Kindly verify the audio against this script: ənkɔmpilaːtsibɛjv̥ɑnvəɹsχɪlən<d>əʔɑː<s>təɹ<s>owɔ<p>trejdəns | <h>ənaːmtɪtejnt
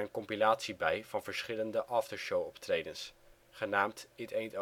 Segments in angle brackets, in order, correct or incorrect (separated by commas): correct, incorrect, incorrect, correct, incorrect